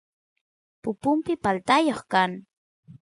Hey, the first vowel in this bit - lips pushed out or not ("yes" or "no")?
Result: yes